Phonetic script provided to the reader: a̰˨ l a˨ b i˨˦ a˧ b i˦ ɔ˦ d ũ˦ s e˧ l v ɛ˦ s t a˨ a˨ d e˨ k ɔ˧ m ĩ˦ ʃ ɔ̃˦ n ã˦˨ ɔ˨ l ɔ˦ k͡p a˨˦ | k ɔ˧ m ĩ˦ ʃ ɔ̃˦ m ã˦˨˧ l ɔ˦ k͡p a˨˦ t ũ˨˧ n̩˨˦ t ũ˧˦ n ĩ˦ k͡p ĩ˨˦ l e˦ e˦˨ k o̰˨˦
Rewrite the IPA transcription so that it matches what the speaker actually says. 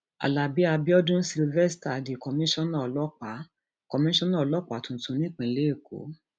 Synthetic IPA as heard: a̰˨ l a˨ b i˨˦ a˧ b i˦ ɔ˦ d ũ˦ s i˧ l v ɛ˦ s t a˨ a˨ d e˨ k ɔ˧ m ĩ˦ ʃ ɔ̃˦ n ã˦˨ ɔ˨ l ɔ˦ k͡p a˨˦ | k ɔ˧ m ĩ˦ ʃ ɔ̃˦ n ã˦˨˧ l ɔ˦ k͡p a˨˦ t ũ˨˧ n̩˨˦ t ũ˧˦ n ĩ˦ k͡p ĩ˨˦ l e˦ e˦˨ k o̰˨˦